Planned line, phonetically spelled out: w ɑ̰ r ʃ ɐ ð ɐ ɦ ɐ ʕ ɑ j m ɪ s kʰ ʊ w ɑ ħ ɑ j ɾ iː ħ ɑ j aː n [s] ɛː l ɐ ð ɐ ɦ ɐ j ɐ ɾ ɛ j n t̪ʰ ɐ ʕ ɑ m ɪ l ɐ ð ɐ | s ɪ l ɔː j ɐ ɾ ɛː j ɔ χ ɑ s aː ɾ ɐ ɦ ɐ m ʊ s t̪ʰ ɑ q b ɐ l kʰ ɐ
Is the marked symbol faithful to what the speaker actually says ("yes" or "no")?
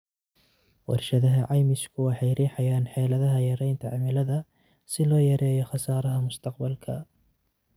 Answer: no